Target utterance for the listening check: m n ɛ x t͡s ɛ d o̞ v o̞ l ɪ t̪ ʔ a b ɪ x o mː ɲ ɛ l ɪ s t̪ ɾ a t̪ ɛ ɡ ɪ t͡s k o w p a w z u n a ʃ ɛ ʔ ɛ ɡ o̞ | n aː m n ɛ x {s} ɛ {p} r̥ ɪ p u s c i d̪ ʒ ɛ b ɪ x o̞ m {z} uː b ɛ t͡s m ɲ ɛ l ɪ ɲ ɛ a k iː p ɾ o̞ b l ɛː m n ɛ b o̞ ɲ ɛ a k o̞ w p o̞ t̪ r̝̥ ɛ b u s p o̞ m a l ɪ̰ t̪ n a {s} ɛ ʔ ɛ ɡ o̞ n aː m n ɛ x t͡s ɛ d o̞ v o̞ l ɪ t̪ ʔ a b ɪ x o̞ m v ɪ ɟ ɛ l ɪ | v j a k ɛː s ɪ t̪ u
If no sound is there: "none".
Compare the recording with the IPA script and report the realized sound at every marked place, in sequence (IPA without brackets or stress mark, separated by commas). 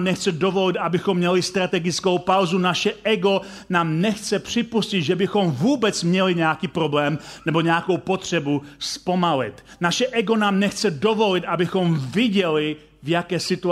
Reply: t͡s, p, v, ʃ